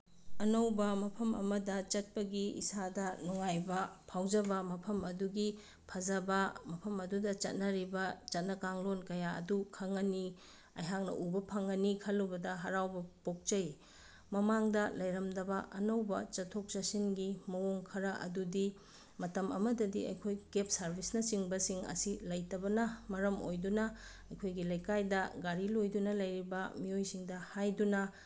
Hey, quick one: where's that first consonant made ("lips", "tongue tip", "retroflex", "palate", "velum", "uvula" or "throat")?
tongue tip